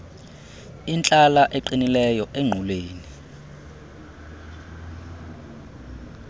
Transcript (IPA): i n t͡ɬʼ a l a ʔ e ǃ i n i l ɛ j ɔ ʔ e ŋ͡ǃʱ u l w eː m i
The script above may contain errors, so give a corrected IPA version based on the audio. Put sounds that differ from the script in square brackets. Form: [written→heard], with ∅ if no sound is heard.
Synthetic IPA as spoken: i n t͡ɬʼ a l a ʔ e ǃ i n i l ɛ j ɔ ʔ e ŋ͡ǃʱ u l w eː [m→n] i